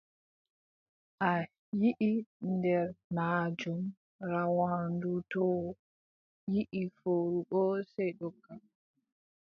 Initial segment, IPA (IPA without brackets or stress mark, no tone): ʔ